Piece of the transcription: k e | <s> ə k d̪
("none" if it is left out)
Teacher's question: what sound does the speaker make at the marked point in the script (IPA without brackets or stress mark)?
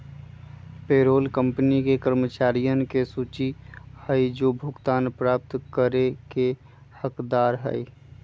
h